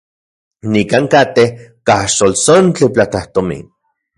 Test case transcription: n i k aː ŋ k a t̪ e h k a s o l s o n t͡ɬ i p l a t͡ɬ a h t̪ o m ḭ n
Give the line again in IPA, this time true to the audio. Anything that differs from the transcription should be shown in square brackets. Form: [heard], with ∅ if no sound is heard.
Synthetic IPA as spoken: n i k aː ŋ k a t̪ e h k a [ʃ] o l s o n t͡ɬ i p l a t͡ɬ a h t̪ o m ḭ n